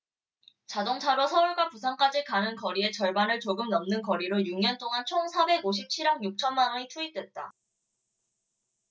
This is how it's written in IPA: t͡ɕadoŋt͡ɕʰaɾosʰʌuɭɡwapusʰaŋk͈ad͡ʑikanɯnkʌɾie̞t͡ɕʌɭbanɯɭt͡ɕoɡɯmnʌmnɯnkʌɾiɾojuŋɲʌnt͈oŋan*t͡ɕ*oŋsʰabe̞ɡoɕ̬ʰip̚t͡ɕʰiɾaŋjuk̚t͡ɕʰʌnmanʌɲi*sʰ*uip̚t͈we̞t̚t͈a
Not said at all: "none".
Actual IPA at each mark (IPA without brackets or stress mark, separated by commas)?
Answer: t͡ɕʰ, tʰ